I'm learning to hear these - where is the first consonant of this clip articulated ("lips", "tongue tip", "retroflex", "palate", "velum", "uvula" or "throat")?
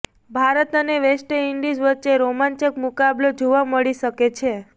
lips